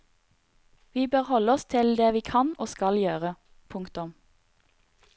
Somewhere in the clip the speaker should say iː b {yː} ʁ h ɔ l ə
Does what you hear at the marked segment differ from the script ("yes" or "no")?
yes